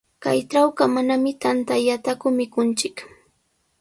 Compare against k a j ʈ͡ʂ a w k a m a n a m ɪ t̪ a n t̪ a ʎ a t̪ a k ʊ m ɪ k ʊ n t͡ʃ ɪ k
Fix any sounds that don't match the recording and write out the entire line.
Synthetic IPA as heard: k a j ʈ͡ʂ a w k a m a n a m ɪ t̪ a n t̪ a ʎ a t̪ a k ʊ m ɪ k ʊ n t͡ʃ ɪ k